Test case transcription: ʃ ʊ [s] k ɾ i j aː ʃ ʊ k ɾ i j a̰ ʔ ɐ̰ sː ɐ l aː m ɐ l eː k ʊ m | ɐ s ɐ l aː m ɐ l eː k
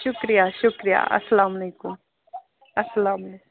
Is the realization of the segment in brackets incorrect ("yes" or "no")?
yes